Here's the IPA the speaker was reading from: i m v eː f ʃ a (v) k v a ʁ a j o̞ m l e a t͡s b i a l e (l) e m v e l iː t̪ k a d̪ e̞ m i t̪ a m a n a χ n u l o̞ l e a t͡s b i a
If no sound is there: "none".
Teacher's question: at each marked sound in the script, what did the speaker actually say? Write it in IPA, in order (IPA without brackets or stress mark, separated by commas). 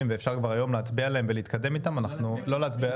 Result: ʁ, none